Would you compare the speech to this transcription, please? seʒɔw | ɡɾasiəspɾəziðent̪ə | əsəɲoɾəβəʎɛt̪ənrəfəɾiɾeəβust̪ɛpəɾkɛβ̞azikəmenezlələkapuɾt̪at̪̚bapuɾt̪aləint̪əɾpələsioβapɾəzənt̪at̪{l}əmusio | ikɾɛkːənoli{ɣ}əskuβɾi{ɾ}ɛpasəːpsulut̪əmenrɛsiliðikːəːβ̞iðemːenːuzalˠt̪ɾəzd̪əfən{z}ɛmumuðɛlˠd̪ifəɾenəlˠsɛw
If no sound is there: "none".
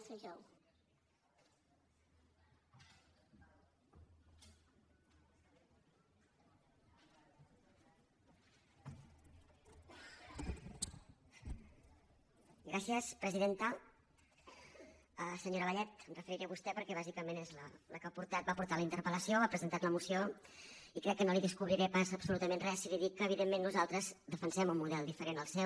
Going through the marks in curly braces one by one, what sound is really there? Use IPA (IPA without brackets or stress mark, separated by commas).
l, ð, ɾ, s